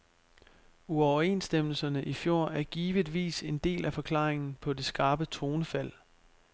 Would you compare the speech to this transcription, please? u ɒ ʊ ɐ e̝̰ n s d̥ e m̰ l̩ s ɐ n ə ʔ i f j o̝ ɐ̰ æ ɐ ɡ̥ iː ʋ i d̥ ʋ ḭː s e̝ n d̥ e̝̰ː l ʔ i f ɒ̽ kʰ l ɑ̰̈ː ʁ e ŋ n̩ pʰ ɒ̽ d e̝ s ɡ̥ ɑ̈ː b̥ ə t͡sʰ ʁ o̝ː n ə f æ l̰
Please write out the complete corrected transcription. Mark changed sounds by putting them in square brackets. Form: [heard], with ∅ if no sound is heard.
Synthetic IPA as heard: u ɒ ʊ ɐ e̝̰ n s d̥ e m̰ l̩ s ɐ n ə ʔ i f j o̝ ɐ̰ æ ɐ ɡ̥ iː ʋ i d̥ ʋ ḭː s e̝ n d̥ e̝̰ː l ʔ [æ] f ɒ̽ kʰ l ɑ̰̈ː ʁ e ŋ n̩ pʰ ɒ̽ d e̝ s ɡ̥ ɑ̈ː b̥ ə t͡sʰ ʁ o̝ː n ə f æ l̰